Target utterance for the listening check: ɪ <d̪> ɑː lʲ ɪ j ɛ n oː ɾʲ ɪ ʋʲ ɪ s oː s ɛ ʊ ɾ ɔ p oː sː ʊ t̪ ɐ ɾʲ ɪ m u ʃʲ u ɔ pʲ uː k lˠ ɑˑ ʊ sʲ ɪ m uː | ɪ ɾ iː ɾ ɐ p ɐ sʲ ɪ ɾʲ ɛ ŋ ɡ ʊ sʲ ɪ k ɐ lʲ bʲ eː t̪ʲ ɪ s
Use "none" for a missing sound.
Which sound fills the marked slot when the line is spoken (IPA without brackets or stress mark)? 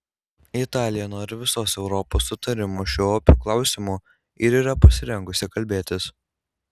t̪